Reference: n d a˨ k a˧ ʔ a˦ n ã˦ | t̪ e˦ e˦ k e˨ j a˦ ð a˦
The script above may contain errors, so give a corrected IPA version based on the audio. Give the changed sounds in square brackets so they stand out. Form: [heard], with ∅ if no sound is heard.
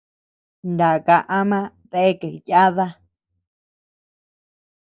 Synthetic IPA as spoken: n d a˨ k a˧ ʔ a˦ [m] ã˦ | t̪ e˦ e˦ k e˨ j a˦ ð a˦

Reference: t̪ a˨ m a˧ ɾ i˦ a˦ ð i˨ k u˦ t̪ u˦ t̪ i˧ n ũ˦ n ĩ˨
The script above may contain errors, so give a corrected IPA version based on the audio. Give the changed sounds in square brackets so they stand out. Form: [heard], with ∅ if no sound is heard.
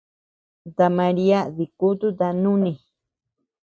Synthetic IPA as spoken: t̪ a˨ m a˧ ɾ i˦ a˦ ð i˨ k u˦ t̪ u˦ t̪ [a˧] n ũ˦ n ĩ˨

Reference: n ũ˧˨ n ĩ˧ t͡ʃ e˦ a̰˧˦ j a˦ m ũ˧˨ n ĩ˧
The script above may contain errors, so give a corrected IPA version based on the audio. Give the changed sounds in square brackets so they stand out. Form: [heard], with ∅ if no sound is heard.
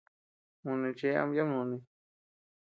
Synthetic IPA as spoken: [m] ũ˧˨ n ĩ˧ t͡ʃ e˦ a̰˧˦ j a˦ m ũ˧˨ n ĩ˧

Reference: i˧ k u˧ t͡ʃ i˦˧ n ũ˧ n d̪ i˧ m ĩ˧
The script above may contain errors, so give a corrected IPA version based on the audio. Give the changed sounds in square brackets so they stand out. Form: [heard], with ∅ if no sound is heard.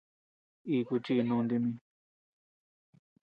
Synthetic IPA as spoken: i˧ k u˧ t͡ʃ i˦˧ n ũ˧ n d̪ i˧ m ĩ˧

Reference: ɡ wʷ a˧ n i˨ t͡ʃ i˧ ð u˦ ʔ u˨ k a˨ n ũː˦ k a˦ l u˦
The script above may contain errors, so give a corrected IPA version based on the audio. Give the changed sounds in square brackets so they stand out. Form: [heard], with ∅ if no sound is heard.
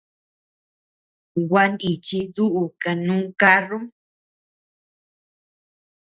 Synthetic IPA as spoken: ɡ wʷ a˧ n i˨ t͡ʃ i˧ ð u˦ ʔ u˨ k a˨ n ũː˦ k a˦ [r] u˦

